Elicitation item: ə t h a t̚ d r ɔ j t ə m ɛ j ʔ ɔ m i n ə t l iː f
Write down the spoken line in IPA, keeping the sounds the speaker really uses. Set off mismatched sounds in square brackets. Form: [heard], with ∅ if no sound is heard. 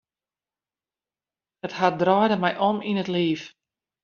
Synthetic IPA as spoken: ə t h a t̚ d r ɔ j [d] ə m ɛ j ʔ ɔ m i n ə t l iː f